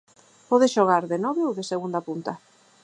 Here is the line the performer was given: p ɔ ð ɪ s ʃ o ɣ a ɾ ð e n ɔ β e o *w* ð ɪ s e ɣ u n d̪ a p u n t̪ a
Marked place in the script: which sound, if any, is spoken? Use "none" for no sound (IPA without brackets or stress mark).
w